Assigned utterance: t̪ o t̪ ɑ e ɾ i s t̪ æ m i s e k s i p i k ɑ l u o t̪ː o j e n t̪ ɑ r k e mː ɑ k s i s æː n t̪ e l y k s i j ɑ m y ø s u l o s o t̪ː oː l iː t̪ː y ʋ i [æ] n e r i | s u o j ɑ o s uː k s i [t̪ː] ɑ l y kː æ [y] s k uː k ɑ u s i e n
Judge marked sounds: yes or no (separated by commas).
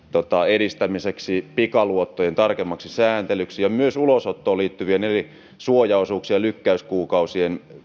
no, no, yes